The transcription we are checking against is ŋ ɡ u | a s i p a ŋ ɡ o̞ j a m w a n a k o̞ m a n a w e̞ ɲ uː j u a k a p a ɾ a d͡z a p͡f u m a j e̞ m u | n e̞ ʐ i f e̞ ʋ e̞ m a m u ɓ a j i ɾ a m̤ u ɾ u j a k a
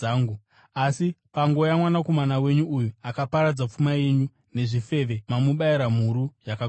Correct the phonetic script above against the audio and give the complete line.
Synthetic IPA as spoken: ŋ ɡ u | a s i p a ŋ ɡ o̞ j a m w a n a k o̞ m a n a w e̞ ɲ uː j u a k a p a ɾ a d͡z a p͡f u m a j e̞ ɲ u | n e̞ ʐ i f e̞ ʋ e̞ m a m u ɓ a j i ɾ a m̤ u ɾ u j a k a